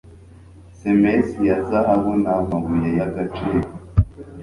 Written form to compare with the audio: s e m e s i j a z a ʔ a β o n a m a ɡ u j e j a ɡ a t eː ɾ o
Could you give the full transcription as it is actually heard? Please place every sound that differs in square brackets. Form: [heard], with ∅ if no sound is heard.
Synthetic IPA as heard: s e m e s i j a z a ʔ a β o n a m a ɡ u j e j a ɡ a [t͡ʃ] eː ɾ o